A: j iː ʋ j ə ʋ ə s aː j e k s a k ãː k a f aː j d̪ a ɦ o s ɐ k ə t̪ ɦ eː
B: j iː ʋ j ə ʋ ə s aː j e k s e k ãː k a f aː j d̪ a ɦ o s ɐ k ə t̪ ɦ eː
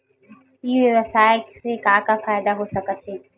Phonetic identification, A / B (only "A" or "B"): B